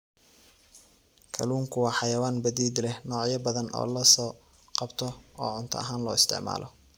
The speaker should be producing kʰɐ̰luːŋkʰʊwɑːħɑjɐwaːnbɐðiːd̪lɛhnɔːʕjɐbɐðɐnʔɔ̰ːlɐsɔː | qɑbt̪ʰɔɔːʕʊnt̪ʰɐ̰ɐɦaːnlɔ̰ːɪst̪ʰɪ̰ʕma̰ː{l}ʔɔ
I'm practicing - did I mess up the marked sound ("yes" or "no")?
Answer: no